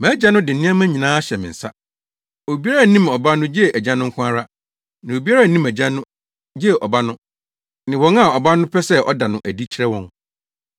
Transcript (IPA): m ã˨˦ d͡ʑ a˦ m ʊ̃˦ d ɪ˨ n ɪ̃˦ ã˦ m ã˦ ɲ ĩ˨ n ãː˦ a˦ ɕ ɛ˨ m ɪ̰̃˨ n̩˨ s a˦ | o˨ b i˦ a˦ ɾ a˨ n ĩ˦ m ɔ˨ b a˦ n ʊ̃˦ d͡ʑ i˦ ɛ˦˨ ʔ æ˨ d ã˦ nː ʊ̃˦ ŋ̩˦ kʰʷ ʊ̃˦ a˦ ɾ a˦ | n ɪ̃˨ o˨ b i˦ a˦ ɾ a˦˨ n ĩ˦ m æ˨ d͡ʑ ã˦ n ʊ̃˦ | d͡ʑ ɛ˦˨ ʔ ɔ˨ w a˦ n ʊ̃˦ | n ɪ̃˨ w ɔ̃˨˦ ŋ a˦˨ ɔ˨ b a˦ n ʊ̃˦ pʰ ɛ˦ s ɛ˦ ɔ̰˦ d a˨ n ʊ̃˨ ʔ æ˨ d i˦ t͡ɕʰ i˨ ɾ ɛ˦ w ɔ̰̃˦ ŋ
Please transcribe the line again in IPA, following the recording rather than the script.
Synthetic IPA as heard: m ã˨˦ d͡ʑ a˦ n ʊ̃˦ d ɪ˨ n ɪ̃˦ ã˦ m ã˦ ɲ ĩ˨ n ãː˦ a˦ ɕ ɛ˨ m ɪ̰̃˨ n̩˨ s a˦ | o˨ b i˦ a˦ ɾ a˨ n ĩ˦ m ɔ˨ b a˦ n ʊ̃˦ d͡ʑ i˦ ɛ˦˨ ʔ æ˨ d͡ʑ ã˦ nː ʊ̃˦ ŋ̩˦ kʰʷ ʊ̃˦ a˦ ɾ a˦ | n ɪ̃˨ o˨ b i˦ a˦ ɾ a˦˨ n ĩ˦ m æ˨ d͡ʑ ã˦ n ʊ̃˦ | d͡ʑ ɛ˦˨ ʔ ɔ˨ b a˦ n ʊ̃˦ | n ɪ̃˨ w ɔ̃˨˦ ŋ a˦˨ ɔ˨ b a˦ n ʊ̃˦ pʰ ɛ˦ s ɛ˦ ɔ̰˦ d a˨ n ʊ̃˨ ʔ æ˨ d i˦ t͡ɕʰ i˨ ɾ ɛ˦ w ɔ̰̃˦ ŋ